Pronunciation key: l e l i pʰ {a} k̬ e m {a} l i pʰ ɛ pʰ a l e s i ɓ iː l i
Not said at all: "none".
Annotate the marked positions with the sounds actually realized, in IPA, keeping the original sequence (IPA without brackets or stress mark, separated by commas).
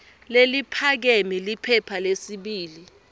a, i